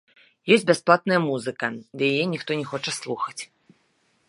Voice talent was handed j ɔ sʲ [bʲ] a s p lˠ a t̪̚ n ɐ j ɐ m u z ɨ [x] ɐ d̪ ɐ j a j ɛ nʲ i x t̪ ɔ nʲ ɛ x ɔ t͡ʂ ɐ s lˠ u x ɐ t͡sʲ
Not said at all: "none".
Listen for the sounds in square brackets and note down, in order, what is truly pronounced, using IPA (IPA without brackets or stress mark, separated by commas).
bʲ, k